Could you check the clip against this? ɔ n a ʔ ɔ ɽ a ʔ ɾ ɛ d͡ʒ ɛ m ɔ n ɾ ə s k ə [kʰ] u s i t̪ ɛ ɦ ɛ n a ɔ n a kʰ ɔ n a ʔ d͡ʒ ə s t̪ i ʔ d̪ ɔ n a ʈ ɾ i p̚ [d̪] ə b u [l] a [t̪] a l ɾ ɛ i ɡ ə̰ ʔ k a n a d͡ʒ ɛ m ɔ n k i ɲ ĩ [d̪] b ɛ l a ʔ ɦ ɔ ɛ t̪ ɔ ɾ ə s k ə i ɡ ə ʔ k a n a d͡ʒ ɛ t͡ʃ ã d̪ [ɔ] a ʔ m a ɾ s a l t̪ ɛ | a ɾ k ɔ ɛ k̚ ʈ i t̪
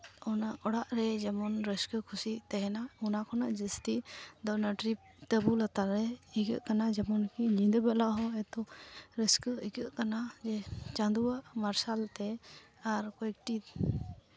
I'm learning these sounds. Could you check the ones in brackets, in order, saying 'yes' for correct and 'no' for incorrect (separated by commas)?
yes, no, yes, yes, yes, no